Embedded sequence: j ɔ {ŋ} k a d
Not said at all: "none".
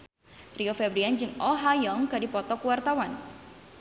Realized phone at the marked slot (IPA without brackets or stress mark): ŋ